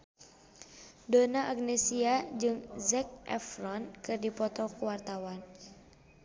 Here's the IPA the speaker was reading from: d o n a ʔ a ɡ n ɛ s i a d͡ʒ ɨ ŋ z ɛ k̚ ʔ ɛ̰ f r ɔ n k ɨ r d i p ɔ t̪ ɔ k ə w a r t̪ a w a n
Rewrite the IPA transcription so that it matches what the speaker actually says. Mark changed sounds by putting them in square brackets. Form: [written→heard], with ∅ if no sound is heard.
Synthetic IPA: d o n a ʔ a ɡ n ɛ s i a d͡ʒ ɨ ŋ z ɛ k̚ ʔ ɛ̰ f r ɔ n k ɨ r d i p ɔ t̪ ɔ k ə w a r t̪ a w a n